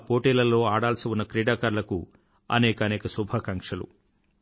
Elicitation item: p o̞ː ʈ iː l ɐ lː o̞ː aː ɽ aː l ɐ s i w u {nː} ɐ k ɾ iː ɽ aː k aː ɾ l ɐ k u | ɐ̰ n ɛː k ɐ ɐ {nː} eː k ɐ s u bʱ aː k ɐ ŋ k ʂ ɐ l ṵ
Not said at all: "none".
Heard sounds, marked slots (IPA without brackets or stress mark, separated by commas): nː, n